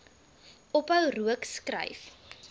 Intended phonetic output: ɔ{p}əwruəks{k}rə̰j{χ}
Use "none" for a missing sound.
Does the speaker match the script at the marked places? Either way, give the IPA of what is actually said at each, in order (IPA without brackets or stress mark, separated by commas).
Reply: p, k, f